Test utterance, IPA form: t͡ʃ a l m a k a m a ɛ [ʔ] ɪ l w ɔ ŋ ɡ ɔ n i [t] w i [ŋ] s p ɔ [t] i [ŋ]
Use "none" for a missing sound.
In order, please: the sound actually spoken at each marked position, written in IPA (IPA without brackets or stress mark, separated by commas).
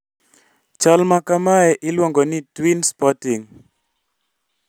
ʔ, t, n, t, ŋ